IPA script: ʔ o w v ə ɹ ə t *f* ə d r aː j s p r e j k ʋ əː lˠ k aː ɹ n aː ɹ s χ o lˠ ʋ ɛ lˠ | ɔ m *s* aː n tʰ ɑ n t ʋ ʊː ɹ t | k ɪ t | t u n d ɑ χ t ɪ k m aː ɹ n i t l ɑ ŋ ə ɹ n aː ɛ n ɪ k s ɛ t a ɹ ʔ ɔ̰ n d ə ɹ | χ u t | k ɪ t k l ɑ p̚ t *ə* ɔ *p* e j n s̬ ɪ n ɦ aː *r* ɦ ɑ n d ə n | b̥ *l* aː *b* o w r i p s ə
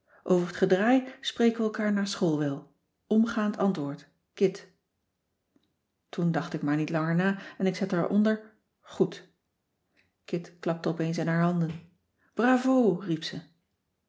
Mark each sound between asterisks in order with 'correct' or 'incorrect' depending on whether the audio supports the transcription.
incorrect: χ, incorrect: χ, correct, correct, incorrect: ɹ, incorrect: r, incorrect: v

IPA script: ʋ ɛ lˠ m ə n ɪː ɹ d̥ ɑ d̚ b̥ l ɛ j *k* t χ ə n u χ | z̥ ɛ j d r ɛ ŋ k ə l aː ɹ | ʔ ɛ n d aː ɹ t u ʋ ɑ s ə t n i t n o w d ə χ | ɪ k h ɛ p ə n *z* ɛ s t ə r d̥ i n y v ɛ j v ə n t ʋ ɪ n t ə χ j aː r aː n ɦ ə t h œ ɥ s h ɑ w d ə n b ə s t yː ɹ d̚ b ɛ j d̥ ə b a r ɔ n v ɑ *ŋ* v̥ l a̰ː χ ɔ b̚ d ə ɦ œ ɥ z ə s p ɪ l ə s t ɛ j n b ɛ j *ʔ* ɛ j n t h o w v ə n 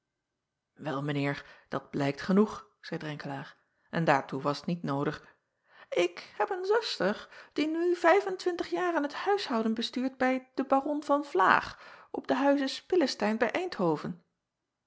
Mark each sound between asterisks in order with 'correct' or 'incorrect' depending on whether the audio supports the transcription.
correct, correct, incorrect: n, correct

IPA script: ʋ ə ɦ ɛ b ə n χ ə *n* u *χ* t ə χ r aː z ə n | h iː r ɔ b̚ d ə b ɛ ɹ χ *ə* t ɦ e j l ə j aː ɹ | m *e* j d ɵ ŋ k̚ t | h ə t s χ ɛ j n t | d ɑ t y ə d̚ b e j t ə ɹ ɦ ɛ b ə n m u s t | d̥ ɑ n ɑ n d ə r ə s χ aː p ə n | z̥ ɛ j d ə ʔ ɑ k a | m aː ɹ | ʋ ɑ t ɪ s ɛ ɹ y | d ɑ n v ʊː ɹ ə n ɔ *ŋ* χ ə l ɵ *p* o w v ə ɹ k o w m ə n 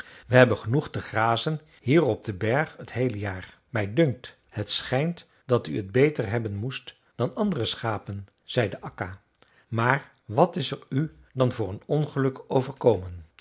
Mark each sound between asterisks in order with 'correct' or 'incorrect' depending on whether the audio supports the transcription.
correct, correct, correct, incorrect: ɛ, incorrect: n, incorrect: k

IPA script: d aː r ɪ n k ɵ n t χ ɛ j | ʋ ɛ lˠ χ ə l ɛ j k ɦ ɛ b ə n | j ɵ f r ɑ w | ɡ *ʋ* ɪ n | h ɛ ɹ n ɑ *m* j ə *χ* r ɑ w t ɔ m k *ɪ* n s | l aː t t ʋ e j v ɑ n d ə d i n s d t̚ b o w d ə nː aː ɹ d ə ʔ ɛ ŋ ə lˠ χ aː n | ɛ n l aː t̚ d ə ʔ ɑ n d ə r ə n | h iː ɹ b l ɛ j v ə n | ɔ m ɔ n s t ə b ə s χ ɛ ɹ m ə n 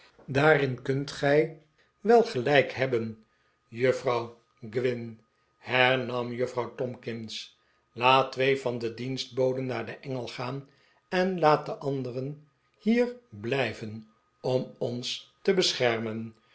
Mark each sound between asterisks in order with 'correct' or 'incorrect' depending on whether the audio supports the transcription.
correct, correct, incorrect: f, correct

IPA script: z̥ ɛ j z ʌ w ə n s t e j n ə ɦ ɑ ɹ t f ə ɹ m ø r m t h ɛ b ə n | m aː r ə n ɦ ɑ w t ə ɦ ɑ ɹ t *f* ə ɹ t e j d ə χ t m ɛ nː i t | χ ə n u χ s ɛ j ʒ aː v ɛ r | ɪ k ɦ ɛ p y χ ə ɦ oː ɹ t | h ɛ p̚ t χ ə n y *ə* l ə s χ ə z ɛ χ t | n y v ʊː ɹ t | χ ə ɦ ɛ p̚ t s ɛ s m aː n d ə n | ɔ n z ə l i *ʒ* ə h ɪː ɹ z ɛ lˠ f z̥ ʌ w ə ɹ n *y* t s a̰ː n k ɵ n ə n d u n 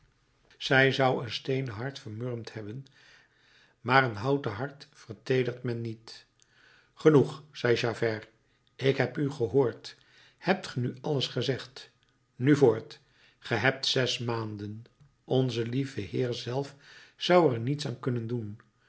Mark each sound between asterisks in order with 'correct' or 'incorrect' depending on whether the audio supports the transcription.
correct, incorrect: ɑ, incorrect: v, incorrect: i

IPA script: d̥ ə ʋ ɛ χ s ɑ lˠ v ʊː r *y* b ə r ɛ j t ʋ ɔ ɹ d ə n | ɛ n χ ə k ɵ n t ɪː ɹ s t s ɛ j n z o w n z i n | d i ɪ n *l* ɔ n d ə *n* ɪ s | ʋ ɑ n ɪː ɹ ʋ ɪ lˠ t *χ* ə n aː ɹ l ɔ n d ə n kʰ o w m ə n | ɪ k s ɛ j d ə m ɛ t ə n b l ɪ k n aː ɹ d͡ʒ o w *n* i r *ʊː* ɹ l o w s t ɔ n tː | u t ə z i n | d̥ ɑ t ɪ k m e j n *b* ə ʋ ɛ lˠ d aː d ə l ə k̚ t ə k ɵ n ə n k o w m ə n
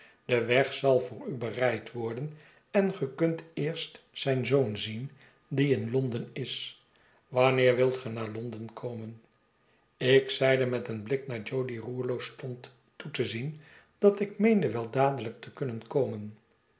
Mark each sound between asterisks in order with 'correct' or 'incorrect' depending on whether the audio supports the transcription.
correct, correct, correct, correct, incorrect: d, incorrect: uː, incorrect: d

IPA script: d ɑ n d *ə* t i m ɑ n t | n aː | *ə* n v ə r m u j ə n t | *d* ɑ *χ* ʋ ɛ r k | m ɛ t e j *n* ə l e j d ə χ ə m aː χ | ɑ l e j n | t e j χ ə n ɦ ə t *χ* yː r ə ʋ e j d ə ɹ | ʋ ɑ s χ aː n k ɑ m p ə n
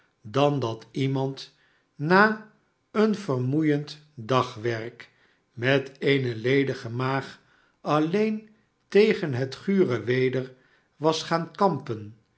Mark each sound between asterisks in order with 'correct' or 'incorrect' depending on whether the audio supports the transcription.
incorrect: ɑ, correct, correct, correct, correct, correct

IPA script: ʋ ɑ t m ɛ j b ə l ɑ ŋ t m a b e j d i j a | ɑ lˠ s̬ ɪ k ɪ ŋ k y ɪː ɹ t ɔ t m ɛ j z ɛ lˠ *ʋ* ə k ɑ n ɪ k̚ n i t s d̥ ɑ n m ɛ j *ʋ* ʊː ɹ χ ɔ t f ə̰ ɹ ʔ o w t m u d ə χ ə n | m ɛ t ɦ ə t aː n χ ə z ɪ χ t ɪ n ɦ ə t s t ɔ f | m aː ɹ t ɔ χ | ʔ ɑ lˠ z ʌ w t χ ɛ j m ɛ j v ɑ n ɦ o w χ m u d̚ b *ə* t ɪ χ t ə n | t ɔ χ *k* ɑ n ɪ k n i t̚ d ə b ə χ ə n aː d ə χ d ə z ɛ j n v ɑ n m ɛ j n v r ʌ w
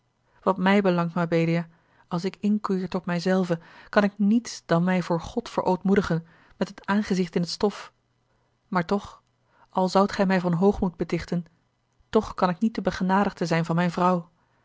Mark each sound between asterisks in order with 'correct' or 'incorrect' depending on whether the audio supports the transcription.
incorrect: v, incorrect: v, correct, correct

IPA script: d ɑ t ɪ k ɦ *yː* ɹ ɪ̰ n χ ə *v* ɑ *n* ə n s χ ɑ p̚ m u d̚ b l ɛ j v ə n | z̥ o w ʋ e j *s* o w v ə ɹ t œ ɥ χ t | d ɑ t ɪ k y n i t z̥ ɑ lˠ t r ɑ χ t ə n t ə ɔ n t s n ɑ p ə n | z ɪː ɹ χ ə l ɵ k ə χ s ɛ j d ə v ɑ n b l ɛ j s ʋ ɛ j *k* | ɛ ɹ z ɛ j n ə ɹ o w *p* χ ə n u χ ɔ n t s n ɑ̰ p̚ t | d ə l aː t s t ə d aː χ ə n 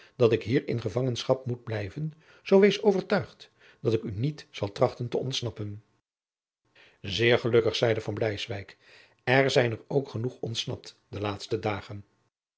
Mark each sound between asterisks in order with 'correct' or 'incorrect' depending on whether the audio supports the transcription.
incorrect: iː, correct, incorrect: ŋ, correct, correct, incorrect: k

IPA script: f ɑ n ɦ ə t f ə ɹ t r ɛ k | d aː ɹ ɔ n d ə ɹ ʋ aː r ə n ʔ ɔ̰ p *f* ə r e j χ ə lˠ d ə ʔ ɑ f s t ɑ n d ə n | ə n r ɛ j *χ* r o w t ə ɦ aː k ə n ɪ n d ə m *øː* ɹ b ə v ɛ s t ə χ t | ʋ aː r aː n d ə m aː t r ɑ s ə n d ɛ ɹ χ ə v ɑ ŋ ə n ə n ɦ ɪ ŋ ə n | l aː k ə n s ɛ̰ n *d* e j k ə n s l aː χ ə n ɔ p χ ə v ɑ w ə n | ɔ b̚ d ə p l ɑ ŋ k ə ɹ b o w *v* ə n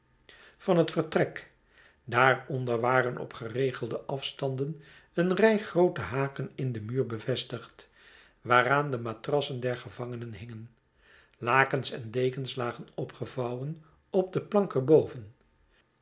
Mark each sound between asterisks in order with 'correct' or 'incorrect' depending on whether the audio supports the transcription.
incorrect: χ, correct, incorrect: yː, correct, correct

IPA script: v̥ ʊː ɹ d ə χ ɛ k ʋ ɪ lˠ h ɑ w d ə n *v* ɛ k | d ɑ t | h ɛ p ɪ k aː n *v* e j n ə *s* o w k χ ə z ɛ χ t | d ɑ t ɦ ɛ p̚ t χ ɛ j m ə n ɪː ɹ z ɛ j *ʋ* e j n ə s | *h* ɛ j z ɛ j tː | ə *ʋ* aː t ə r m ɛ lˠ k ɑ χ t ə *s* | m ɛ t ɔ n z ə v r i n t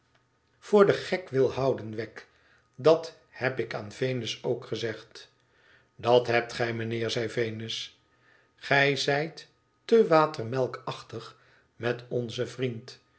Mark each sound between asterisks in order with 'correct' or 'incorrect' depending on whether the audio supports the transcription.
incorrect: ʋ, correct, correct, incorrect: v, incorrect: χ, correct, incorrect: χ

